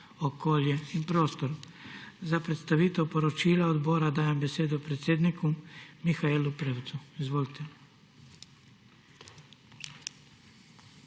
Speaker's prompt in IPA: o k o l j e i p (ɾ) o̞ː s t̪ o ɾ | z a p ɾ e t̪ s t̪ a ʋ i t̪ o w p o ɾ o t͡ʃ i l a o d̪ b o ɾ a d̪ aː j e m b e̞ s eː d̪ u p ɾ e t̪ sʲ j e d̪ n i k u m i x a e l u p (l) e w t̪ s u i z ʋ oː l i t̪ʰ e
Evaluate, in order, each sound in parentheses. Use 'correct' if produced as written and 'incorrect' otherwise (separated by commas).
correct, incorrect